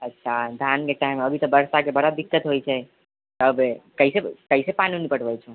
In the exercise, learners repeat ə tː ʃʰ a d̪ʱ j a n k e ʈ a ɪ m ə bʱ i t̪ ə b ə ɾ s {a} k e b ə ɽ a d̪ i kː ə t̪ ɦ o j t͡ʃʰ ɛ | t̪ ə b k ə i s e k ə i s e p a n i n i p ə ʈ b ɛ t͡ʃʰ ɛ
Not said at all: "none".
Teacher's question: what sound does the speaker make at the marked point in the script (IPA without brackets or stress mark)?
a